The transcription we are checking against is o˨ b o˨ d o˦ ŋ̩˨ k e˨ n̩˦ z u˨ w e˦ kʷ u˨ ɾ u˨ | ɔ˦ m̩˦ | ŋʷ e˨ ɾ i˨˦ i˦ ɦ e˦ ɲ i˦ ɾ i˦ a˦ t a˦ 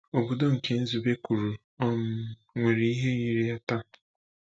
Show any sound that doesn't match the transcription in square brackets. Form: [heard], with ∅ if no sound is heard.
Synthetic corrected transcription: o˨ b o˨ d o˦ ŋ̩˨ k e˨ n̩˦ z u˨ [b] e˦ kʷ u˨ ɾ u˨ | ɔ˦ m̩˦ | ŋʷ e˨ ɾ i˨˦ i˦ ɦ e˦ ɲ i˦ ɾ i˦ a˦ t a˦